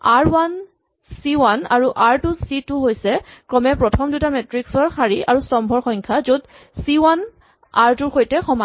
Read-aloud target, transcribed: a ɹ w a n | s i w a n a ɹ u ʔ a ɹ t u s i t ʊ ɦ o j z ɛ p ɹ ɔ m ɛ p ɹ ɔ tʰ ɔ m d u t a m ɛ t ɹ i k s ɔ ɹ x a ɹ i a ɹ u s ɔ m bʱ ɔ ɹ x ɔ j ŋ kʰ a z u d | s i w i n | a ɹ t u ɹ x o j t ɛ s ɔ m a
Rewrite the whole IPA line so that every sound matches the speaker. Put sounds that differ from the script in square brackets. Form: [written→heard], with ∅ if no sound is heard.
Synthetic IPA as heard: a ɹ w a n | s i w a n a ɹ u ʔ a ɹ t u s i t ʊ ɦ o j [z→s] ɛ [p→k] ɹ ɔ m ɛ p ɹ ɔ tʰ ɔ m d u t a m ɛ t ɹ i k s ɔ ɹ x a ɹ i a ɹ u s ɔ m bʱ ɔ ɹ x ɔ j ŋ kʰ a z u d | s i w [i→a] n | a ɹ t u ɹ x o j t ɛ [s→x] ɔ m a